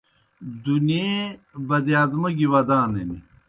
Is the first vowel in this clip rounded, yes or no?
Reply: yes